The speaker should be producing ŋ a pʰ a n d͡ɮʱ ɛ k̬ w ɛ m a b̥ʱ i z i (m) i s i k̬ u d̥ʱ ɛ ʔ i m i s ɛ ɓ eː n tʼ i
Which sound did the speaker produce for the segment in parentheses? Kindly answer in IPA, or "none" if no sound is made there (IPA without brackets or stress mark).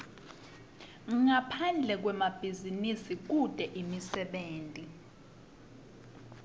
n